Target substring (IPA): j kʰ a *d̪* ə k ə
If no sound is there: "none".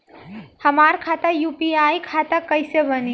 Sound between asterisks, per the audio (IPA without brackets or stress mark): t̪